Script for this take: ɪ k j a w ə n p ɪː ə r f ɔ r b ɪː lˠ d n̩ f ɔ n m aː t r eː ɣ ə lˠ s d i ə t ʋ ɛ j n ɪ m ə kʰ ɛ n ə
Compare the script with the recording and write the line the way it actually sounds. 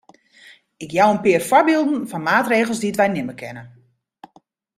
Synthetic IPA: ɪ k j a w ə n p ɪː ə r f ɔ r b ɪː lˠ d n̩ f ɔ n m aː t r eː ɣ ə lˠ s d i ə t ʋ ɛ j n ɪ m ə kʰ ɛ n ə